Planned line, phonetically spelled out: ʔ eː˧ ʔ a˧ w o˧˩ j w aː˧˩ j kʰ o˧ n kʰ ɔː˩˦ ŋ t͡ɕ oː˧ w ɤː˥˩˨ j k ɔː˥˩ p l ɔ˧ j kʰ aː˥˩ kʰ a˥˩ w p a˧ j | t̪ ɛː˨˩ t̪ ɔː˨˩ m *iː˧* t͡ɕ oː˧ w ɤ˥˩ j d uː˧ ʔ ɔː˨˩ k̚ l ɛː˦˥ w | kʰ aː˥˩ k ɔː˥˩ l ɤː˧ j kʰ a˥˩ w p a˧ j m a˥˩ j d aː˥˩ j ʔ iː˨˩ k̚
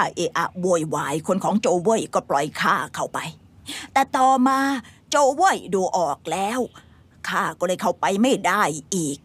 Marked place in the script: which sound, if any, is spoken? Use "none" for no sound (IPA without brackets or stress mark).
aː˧